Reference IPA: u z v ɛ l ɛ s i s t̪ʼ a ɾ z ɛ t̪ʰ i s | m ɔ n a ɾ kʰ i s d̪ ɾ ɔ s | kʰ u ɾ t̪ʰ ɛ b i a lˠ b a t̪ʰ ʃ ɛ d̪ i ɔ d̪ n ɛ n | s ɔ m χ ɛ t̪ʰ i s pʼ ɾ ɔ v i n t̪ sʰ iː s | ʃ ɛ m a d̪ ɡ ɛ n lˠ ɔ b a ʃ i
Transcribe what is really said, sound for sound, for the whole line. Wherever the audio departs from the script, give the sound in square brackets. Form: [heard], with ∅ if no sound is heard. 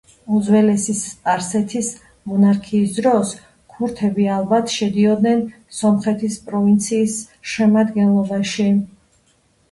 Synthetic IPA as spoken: u z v ɛ l ɛ s i s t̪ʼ a ɾ [s] ɛ t̪ʰ i s | m ɔ n a ɾ kʰ [iː] s d̪ ɾ ɔ s | kʰ u ɾ t̪ʰ ɛ b i a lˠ b a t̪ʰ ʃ ɛ d̪ i ɔ d̪ n ɛ n | s ɔ m χ ɛ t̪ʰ i s pʼ ɾ ɔ v i n t̪ sʰ iː s | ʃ ɛ m a d̪ ɡ ɛ n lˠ ɔ b a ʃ i

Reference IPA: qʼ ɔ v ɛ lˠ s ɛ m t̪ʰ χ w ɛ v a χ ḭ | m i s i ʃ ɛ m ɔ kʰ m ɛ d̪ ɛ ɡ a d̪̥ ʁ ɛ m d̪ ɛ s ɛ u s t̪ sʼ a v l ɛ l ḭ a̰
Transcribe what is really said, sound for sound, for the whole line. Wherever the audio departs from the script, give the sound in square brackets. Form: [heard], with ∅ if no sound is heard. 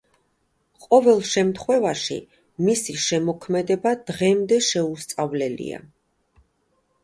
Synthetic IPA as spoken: qʼ ɔ v ɛ lˠ [ʃ] ɛ m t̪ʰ χ w ɛ v a [ʃ] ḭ | m i s i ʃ ɛ m ɔ kʰ m ɛ d̪ ɛ [b] a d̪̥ ʁ ɛ m d̪ ɛ [ʃ] ɛ u s t̪ sʼ a v l ɛ l ḭ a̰

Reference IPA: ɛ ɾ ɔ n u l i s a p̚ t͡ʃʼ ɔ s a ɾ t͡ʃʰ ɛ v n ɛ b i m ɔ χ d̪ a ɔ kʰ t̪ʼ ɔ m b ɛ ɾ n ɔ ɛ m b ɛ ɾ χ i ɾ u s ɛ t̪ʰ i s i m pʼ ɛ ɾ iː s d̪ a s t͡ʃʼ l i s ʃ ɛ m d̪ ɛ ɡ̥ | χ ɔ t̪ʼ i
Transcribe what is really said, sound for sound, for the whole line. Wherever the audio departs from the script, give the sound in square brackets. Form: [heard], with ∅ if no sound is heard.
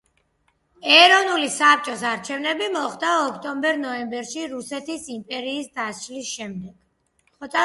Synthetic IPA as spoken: ɛ ɾ ɔ n u l i s a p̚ t͡ʃʼ ɔ s a ɾ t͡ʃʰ ɛ v n ɛ b i m ɔ χ d̪ a ɔ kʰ t̪ʼ ɔ m b ɛ ɾ n ɔ ɛ m b ɛ ɾ [ʃ] i ɾ u s ɛ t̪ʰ i s i m pʼ ɛ ɾ iː s d̪ a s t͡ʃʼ l i s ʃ ɛ m d̪ ɛ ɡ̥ | χ ɔ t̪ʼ [a]

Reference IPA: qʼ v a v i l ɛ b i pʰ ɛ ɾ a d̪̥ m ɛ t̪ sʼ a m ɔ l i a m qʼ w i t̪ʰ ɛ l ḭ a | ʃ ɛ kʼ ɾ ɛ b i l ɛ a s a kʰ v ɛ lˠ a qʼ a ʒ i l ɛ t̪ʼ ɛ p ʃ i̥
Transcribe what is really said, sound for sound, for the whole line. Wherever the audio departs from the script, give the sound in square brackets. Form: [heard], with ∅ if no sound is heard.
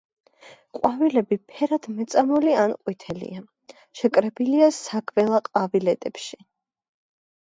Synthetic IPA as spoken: qʼ [w] a v i l ɛ b i pʰ ɛ ɾ a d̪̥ m ɛ t̪ sʼ a m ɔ l i a [n] qʼ w i t̪ʰ ɛ l ḭ a | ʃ ɛ kʼ ɾ ɛ b i l [i] a s a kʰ v ɛ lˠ a qʼ a [v] i l ɛ t̪ʼ ɛ p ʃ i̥

